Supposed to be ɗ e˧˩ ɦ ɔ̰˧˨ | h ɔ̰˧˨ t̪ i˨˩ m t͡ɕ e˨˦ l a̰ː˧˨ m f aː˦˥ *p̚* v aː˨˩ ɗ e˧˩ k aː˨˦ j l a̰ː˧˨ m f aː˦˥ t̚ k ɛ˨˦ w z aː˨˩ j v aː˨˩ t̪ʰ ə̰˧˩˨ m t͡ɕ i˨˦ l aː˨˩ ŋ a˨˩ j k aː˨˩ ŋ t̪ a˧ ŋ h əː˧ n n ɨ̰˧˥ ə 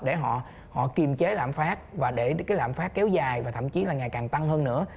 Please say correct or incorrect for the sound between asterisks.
incorrect